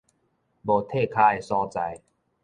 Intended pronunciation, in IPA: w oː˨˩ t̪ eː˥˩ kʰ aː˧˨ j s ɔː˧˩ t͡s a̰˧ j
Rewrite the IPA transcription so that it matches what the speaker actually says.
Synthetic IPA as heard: b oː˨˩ t̪ʰ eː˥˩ kʰ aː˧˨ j s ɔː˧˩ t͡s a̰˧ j